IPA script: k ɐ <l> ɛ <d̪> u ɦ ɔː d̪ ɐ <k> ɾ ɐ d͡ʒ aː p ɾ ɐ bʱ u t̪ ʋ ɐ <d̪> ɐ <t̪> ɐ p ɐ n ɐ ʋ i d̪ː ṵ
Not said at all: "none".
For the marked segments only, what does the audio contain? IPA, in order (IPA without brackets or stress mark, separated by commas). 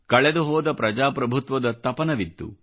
ɭ, d̪, p, d̪, t̪